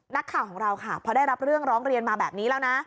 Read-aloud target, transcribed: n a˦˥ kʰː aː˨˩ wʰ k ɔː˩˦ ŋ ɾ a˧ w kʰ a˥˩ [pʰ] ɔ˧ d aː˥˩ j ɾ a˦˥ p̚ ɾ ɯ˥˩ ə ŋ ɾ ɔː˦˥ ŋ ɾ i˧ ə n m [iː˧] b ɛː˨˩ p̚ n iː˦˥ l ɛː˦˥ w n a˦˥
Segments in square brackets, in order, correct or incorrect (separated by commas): correct, incorrect